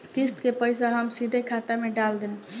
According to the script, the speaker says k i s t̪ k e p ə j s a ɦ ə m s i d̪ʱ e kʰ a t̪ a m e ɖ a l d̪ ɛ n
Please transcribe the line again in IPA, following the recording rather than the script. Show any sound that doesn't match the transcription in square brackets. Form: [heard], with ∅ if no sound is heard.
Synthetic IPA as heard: k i s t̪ k e p ə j s a ɦ ə m s i d̪ʱ e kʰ a t̪ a m e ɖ a l d̪ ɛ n